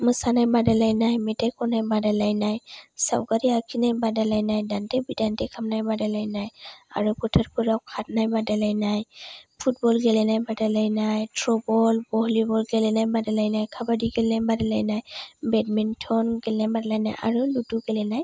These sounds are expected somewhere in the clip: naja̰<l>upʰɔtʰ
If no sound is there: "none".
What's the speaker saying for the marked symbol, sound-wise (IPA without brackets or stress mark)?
ɹ